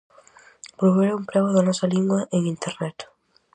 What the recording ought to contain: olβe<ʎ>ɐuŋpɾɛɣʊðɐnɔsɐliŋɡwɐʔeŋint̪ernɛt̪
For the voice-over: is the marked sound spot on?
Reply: no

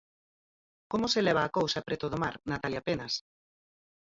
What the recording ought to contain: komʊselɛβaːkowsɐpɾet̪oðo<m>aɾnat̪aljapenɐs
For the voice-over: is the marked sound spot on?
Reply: yes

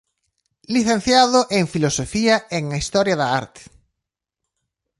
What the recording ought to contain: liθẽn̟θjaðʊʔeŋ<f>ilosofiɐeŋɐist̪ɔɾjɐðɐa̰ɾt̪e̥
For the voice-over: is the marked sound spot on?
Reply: yes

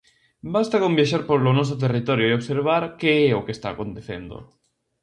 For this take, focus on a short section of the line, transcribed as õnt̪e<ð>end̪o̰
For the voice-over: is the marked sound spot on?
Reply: no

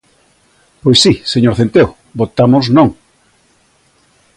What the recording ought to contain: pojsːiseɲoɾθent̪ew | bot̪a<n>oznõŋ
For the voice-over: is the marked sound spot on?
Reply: no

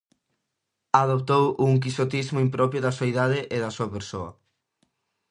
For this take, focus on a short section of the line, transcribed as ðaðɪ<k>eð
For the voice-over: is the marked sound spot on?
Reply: no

